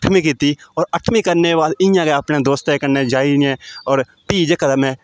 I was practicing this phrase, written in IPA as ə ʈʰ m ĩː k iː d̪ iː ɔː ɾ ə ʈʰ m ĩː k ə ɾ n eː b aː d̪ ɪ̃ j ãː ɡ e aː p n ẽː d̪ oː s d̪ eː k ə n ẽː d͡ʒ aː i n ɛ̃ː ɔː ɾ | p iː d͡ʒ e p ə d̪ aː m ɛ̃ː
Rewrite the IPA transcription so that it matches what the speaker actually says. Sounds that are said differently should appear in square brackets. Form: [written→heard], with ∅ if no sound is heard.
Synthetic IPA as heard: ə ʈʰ m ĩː k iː [d̪→t̪] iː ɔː ɾ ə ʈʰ m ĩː k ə ɾ n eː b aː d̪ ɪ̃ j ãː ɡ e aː p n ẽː d̪ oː s [d̪→t̪] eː k ə n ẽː d͡ʒ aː i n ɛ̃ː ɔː ɾ | p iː d͡ʒ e [p→k] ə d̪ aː m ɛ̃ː